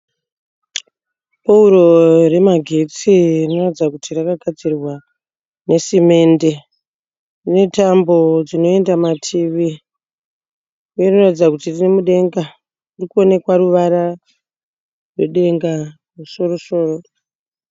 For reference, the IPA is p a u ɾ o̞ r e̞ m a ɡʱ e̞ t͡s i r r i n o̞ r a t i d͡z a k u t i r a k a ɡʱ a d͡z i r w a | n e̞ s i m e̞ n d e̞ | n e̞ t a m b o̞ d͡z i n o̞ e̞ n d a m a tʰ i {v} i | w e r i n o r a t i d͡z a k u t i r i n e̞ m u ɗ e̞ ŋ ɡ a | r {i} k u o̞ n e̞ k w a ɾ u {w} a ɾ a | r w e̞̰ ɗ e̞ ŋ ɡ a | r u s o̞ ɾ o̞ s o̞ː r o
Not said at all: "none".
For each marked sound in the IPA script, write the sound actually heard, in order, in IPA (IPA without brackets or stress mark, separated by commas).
ʋ, i, ʋ